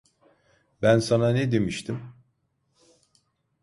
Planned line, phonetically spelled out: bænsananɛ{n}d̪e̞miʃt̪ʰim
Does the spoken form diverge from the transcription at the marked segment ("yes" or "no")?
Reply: yes